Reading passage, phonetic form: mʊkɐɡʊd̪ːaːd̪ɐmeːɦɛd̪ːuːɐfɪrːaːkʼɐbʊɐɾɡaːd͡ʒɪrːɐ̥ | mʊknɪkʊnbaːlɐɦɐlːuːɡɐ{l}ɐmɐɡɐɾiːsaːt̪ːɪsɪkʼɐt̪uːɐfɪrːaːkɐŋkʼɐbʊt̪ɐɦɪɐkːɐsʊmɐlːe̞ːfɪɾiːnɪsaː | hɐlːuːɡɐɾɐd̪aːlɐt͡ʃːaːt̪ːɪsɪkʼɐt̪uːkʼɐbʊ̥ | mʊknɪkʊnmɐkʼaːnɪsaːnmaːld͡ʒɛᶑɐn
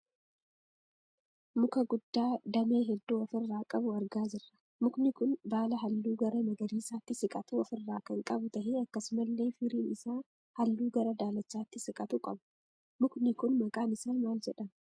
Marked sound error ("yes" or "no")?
yes